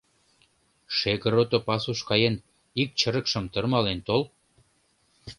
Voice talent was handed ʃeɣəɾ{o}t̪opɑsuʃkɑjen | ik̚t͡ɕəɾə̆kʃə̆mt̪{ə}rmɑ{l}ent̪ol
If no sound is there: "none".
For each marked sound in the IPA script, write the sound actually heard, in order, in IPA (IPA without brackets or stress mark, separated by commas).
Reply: o, ə, l